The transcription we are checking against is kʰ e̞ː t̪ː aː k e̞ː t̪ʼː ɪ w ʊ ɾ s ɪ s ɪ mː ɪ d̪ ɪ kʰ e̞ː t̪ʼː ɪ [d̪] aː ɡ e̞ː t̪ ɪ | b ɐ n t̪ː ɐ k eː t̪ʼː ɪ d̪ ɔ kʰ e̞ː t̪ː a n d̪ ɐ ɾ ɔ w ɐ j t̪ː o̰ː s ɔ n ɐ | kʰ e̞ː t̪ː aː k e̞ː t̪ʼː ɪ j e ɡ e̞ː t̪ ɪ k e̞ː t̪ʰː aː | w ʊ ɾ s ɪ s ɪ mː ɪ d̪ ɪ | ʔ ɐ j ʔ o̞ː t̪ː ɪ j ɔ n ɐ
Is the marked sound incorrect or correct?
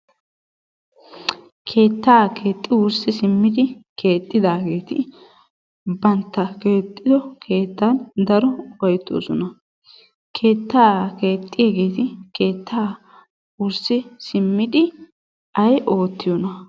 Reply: correct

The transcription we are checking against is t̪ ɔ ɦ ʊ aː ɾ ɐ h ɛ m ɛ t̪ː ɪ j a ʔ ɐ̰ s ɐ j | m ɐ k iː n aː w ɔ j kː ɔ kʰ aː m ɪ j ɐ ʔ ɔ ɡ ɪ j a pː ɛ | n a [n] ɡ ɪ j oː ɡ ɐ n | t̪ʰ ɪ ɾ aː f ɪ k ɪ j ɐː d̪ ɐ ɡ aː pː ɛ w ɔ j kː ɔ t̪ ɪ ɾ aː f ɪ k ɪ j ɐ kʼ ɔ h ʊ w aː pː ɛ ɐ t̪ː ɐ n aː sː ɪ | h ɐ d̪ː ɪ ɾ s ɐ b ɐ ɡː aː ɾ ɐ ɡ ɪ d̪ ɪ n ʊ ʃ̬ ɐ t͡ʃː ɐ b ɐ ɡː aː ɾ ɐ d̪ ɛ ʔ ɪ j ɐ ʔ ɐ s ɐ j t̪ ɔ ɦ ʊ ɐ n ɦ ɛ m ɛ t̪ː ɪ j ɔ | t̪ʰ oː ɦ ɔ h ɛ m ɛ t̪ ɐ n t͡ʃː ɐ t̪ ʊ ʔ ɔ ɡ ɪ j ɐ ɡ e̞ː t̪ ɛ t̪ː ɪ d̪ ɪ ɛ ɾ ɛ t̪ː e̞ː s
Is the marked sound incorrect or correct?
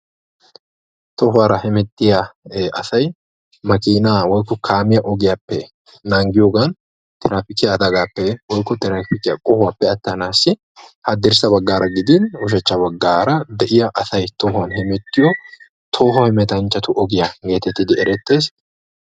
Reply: incorrect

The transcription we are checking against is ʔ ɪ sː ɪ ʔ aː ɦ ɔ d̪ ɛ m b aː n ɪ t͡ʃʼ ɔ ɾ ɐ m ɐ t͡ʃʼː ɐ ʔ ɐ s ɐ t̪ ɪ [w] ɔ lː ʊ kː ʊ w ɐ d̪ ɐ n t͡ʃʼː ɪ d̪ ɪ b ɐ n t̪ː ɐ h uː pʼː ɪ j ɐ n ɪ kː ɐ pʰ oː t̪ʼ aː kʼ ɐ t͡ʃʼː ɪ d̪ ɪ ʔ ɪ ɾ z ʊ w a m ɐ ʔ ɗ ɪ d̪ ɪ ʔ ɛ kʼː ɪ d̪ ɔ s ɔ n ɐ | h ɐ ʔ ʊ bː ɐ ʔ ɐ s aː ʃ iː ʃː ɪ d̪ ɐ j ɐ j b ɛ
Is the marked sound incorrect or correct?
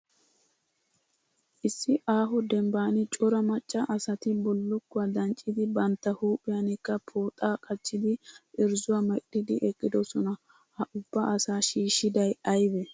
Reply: incorrect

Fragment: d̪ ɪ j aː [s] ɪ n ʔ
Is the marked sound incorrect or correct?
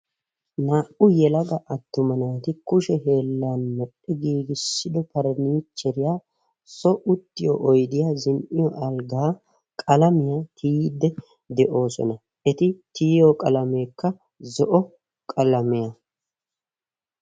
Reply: incorrect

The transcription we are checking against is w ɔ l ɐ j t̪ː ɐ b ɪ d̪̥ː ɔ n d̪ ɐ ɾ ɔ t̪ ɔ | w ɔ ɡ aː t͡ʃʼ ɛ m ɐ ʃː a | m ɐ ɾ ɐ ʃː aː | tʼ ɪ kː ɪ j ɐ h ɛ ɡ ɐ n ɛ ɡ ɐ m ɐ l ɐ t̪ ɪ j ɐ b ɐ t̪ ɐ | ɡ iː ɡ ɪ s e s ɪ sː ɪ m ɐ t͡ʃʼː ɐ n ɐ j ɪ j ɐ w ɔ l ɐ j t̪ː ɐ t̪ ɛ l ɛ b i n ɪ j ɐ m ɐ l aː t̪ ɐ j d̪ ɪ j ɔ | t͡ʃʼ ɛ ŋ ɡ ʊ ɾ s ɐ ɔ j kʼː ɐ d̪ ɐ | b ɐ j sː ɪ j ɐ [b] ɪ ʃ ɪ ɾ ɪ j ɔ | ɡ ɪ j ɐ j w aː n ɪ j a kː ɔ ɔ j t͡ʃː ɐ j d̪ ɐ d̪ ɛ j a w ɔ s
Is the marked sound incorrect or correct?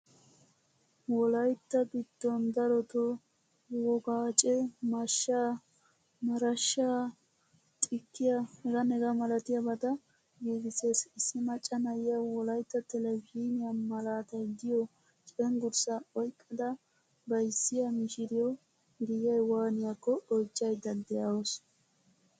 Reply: incorrect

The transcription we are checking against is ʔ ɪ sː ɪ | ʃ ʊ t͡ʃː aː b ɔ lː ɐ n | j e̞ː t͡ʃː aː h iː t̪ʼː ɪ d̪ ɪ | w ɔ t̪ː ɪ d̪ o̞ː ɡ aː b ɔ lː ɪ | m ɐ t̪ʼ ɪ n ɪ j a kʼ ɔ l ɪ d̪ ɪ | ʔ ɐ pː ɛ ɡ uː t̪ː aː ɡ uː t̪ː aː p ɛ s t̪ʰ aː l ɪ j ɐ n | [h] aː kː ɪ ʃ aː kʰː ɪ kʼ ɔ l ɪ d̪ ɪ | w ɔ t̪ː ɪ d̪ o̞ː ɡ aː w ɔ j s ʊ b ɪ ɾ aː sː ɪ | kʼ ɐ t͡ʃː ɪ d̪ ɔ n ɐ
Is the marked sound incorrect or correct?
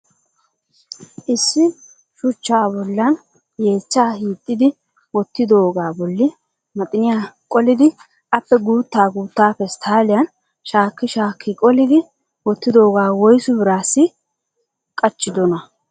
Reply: incorrect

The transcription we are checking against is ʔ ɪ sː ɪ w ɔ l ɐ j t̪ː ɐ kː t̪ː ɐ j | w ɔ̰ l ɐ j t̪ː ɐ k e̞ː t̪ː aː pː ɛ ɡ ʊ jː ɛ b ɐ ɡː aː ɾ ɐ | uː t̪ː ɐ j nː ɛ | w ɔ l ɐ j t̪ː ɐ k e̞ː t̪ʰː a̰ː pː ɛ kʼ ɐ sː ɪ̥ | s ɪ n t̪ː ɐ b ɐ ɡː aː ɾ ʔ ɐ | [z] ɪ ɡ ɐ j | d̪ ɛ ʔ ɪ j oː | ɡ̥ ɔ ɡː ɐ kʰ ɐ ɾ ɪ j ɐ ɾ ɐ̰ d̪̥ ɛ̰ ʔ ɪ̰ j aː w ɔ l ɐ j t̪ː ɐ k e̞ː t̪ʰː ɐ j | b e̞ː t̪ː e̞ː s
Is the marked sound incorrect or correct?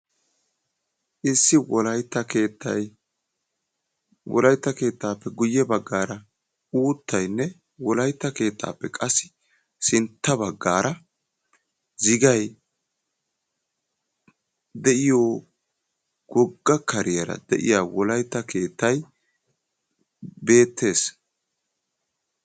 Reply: correct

